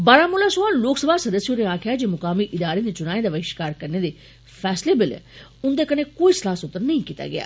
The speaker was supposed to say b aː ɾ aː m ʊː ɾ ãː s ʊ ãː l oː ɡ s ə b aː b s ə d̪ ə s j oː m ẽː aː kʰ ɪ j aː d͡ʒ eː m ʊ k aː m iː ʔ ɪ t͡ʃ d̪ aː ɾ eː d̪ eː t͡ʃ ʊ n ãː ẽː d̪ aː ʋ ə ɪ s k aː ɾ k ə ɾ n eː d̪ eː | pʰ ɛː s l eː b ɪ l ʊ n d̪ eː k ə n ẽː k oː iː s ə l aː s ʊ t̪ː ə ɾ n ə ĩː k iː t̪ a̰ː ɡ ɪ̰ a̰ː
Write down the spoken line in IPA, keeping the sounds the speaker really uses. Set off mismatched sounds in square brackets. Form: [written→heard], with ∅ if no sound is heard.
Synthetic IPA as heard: b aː ɾ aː m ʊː [ɾ→l] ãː s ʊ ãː l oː [ɡ→k] s ə b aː [b→∅] s ə d̪ ə s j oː [m→n] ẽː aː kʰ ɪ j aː d͡ʒ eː m ʊ k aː m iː ʔ ɪ [t͡ʃ→∅] d̪ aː ɾ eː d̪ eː t͡ʃ ʊ n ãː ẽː d̪ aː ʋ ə ɪ [s→ʃ] k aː ɾ k ə ɾ n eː d̪ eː | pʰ ɛː s l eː b ɪ l ʊ n d̪ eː k ə n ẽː k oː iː s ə l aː s ʊ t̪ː ə ɾ n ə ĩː k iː t̪ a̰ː ɡ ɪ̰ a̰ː

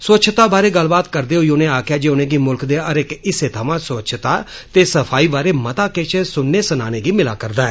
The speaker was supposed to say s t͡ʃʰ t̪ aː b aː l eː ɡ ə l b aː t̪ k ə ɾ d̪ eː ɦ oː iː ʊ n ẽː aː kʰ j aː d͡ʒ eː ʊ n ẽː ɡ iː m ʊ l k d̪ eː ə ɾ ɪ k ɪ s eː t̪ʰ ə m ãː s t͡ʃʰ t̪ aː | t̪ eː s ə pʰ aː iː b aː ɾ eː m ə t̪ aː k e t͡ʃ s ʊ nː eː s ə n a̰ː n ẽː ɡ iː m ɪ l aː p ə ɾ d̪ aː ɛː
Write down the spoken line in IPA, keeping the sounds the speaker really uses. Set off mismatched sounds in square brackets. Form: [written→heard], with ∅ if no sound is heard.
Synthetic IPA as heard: s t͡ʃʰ t̪ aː b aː [l→ɾ] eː ɡ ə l b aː t̪ k ə ɾ d̪ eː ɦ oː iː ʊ n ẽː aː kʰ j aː d͡ʒ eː ʊ n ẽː ɡ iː m ʊ l k d̪ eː ə ɾ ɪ k ɪ s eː t̪ʰ ə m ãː s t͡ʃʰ t̪ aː | t̪ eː s ə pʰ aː iː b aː ɾ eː m ə t̪ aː k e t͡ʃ s ʊ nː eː s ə n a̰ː n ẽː ɡ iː m ɪ l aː [p→k] ə ɾ d̪ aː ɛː

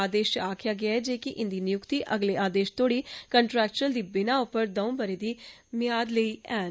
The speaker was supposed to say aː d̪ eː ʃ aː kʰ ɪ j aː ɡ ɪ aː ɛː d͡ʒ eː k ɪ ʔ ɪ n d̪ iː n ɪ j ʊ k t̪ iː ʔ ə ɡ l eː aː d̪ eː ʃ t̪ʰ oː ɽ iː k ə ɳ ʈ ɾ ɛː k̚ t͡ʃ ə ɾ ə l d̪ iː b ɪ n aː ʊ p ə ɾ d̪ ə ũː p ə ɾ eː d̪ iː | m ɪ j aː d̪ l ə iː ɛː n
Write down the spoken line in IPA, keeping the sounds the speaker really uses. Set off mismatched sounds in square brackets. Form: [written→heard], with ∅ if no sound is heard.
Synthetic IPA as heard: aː d̪ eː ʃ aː kʰ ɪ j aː ɡ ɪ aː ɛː d͡ʒ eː k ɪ ʔ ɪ n d̪ iː n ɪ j ʊ k t̪ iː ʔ ə ɡ l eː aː d̪ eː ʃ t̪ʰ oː ɽ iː k ə ɳ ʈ ɾ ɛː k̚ t͡ʃ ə ɾ ə l d̪ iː b ɪ n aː ʊ p ə ɾ d̪ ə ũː [p→b] ə ɾ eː d̪ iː | m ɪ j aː d̪ l ə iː ɛː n

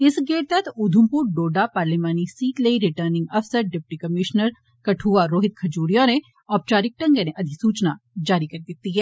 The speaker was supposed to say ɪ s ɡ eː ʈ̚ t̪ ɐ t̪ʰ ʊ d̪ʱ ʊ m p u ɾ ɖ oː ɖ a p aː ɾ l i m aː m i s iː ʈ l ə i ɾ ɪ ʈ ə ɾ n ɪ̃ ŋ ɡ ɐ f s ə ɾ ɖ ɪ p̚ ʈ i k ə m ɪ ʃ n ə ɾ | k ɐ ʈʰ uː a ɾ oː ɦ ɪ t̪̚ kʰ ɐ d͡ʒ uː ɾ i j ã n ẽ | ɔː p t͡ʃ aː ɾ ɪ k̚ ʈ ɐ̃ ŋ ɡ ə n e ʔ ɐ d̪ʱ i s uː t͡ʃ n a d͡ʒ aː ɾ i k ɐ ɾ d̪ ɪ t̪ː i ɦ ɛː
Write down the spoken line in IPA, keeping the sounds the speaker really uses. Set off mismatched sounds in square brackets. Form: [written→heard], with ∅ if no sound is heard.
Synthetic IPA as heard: ɪ s ɡ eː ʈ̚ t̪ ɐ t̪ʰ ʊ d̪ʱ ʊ m p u ɾ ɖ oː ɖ a p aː ɾ l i m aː [m→n] i s iː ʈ l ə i ɾ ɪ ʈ ə ɾ n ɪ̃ ŋ ɡ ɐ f s ə ɾ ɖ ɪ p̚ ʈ i k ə m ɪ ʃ n ə ɾ | k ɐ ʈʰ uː a ɾ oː ɦ ɪ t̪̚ kʰ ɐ d͡ʒ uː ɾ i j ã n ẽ | ɔː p t͡ʃ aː ɾ ɪ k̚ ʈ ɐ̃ ŋ ɡ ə n e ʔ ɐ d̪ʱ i s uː t͡ʃ n a d͡ʒ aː ɾ i k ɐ ɾ d̪ ɪ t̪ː i ɦ ɛː

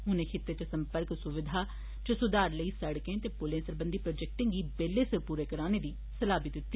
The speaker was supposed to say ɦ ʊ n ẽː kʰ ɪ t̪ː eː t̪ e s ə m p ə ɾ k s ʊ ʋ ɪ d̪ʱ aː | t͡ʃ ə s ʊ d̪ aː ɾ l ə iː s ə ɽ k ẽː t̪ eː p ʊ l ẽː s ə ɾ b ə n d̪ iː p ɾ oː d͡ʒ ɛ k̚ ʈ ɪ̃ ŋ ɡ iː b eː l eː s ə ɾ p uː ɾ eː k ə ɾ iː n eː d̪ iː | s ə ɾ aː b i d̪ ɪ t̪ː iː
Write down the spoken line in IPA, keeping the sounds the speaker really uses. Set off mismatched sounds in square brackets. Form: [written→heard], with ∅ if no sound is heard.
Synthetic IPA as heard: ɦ ʊ n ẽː kʰ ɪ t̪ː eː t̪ e s ə m p ə ɾ k s ʊ ʋ ɪ d̪ʱ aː | t͡ʃ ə s ʊ d̪ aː ɾ l ə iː s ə ɽ k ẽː t̪ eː p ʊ l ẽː s ə ɾ b ə n d̪ iː p ɾ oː d͡ʒ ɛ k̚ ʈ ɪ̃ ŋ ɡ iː b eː l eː s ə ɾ p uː ɾ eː k ə ɾ [iː→aː] n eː d̪ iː | s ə [ɾ→l] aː b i d̪ ɪ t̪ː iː

